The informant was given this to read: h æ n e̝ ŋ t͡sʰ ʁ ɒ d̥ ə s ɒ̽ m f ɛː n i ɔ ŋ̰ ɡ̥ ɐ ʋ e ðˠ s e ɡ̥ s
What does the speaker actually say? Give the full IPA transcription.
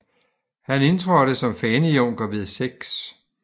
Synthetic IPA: h æ n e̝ n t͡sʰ ʁ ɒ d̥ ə s ɒ̽ m f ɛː n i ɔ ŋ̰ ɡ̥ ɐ ʋ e ðˠ s e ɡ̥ s

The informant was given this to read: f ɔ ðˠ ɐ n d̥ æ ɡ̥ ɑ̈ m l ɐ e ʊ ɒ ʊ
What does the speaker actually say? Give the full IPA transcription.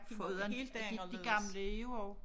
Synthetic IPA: f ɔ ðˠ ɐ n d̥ i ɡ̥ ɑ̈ m l ə e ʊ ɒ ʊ

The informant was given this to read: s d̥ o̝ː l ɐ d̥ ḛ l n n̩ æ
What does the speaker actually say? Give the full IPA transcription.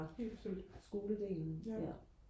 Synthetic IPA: s ɡ̥ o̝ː l ə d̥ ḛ l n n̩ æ

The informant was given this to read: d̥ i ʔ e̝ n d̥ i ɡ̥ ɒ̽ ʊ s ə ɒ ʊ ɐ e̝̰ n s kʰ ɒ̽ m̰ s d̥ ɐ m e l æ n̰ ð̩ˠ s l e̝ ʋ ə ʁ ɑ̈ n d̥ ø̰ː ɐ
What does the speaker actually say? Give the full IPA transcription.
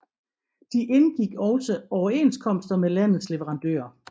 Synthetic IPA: d̥ i ʔ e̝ n ɡ̥ i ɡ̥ ɒ̽ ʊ s ə ɒ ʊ ɐ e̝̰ n s kʰ ɒ̽ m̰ s d̥ ɐ m e l æ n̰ ð̩ˠ s l e̝ ʋ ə ʁ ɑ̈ n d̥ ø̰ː ɐ

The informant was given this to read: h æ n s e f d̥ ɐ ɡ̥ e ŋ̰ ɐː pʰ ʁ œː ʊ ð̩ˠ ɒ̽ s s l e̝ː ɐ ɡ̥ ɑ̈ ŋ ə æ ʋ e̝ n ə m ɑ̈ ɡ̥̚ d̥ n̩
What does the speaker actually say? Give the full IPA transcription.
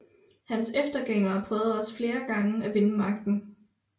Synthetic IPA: h æ n s e f d̥ ɐ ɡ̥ e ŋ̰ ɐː pʰ ʁ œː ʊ ð̩ˠ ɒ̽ s f l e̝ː ɐ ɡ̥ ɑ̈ ŋ ə æ ʋ e̝ n ə m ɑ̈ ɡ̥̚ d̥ n̩

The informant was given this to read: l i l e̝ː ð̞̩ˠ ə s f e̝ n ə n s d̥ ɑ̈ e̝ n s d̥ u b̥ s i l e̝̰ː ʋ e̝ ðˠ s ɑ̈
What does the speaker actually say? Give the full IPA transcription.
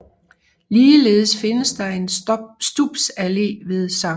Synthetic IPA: l iː l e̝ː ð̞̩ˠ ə s f e̝ n ə s d̥ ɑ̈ e̝ n s d̥ u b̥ s æ l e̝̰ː ʋ e̝ ðˠ s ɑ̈

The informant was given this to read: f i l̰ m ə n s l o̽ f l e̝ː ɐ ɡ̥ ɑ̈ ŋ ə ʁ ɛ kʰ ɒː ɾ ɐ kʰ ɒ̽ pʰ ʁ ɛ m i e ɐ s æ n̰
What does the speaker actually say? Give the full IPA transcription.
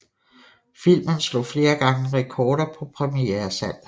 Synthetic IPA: f i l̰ m ə n s l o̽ f l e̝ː ɐ ɡ̥ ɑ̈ ŋ ə ʁ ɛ kʰ ɒː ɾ ɐ pʰ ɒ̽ pʰ ʁ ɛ m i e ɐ s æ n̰

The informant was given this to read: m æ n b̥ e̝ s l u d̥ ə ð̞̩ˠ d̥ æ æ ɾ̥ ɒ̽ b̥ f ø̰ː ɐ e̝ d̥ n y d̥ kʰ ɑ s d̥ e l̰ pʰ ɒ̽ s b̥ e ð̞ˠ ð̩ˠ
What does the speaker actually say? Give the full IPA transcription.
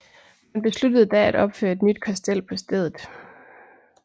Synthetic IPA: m æ n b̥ e̝ s l u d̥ ə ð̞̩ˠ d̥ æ æ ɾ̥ ɒ̽ b̥ f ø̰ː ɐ e̝ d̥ n y d̥ kʰ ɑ s d̥ e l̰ pʰ ɒ̽ s d̥ e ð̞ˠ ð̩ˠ

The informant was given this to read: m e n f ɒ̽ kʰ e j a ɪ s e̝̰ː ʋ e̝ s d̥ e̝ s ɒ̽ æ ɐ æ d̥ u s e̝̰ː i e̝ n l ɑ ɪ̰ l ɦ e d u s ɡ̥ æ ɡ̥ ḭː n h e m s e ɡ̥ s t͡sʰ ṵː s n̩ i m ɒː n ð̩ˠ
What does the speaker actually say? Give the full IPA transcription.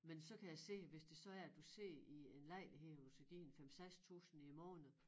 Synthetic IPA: m e n s ɒ̽ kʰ æ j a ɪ s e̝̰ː ʋ e̝ s d̥ e̝ s ɒ̽ æ ɐ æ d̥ u s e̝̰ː i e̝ n l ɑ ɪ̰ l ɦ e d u s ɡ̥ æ ɡ̥ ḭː n f e m s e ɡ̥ s t͡sʰ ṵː s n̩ i m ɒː n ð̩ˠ

